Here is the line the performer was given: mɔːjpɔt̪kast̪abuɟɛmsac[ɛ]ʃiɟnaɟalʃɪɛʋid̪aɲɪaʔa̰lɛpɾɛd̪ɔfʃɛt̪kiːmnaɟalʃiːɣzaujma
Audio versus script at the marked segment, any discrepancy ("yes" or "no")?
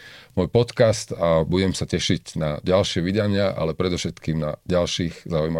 no